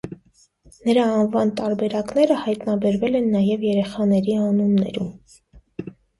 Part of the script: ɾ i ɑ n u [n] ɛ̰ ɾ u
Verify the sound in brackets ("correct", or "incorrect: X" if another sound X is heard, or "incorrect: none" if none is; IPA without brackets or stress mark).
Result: incorrect: nː